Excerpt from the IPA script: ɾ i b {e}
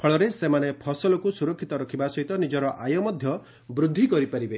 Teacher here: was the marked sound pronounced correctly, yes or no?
yes